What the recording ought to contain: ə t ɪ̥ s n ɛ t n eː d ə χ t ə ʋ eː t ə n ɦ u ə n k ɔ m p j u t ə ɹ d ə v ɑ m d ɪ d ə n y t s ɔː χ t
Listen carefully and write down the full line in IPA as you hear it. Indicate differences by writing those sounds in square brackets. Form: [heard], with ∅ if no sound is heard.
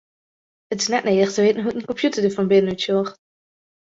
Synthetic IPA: ə t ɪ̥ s n ɛ t n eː d ə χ t ə ʋ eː t ə n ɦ u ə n k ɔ m p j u t ə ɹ d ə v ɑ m [b] ɪ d ə n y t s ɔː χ t